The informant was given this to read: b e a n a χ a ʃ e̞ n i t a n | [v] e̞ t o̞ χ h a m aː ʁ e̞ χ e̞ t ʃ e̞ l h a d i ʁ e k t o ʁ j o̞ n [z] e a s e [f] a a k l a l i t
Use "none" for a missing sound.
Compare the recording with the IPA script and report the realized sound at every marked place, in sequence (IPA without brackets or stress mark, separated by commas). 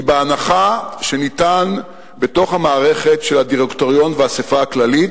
b, v, f